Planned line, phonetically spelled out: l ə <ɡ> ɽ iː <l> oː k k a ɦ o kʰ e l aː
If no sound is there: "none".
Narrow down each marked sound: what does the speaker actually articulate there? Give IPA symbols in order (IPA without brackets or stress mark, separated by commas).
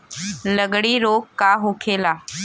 ɡ, ɾ